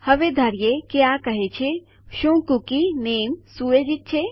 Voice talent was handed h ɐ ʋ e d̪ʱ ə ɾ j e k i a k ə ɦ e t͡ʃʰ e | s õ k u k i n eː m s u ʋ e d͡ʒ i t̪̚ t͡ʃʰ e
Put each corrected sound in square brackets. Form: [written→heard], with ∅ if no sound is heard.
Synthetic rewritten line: h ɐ ʋ e d̪ʱ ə ɾ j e k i a k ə ɦ e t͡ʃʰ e | [s→ʃ] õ k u k i n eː m s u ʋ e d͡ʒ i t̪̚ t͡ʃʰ e

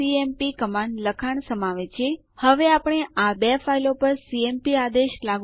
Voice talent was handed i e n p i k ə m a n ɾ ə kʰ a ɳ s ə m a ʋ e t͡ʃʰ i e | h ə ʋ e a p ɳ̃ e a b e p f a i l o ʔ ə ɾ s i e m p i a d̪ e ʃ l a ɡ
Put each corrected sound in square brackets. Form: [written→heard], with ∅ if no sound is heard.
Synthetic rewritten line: i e [n→m] p i k ə m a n [ɾ→l] ə kʰ a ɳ s ə m a ʋ e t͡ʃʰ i e | h ə ʋ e a p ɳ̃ e a b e [p→∅] f a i l o [ʔ→p] ə ɾ s i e m p i a d̪ e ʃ l a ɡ

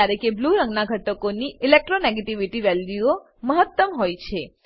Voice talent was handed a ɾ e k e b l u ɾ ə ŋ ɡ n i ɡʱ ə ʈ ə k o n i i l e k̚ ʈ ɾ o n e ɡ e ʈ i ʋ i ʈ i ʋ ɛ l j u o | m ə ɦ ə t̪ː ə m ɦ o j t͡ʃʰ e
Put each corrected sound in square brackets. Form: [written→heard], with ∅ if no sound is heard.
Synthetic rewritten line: a ɾ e k e b l u ɾ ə ŋ ɡ n [i→a] ɡʱ ə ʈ ə k o n i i l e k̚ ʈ ɾ o n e ɡ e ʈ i ʋ i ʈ i ʋ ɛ l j u o | m ə ɦ ə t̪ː ə m ɦ o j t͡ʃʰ e

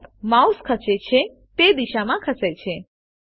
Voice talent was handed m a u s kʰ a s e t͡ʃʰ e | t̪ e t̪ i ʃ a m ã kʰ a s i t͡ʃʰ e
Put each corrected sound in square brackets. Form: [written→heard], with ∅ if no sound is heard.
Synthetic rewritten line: m a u s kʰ [a→ə] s e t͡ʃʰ e | t̪ e [t̪→d̪] i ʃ a m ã kʰ [a→ə] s [i→e] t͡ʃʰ e

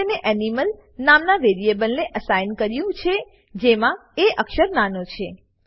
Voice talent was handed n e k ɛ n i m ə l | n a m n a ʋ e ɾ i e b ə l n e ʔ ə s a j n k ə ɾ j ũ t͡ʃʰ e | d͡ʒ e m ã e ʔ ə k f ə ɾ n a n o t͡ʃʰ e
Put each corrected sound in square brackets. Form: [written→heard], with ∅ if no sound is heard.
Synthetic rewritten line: n e [k→ʔ] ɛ n i m ə l | n a m n a ʋ e ɾ i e b ə l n e ʔ ə s a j n k ə ɾ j ũ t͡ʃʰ e | d͡ʒ e m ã e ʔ ə k [f→ʃ] ə ɾ n a n o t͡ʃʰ e

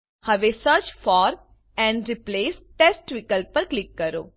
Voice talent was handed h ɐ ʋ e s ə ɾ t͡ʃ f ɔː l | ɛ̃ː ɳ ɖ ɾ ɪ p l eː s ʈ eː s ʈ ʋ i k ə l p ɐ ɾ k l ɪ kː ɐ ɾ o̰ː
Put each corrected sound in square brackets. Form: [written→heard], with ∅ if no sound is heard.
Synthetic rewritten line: h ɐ ʋ e s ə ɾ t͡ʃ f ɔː [l→ɾ] | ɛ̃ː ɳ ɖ ɾ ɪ p l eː s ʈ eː s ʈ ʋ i k ə l p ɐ ɾ k l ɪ kː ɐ ɾ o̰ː

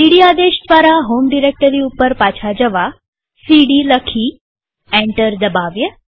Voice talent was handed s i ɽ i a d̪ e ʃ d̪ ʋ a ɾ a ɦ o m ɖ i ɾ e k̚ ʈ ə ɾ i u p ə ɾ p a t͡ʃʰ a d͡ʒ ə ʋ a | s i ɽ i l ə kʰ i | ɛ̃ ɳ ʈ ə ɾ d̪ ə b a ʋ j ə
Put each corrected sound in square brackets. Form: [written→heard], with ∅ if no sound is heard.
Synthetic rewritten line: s i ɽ i a d̪ e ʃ d̪ ʋ a ɾ a ɦ o m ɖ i ɾ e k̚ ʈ ə ɾ i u p ə ɾ p a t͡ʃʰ a d͡ʒ ə ʋ a | s i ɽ i l ə kʰ i | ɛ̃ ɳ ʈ ə ɾ d̪ ə b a ʋ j ə

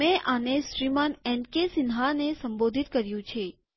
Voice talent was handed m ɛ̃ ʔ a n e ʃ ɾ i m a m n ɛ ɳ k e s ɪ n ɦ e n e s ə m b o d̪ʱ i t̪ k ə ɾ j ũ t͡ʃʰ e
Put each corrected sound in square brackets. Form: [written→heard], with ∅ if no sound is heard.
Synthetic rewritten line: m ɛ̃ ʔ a n e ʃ ɾ i m a [m→∅] n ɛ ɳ k e s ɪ n ɦ [e→a] n e s ə m b o d̪ʱ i t̪ k ə ɾ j ũ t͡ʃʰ e

